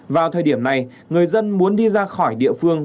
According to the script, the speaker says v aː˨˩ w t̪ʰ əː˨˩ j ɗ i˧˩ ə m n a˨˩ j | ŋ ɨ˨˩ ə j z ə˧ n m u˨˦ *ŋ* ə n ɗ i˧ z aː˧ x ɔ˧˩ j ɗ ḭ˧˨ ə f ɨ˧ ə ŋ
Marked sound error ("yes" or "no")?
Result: yes